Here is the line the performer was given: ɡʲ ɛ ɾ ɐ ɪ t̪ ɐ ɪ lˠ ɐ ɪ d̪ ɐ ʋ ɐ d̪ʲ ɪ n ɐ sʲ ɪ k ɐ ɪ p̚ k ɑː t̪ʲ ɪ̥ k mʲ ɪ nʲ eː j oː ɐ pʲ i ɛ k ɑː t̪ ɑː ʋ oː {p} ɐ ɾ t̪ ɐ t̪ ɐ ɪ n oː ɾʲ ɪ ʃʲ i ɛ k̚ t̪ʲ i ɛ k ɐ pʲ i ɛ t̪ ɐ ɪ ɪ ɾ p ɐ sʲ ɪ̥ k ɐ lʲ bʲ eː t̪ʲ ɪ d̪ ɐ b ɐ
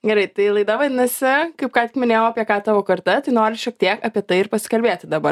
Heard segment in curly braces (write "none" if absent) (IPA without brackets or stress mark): k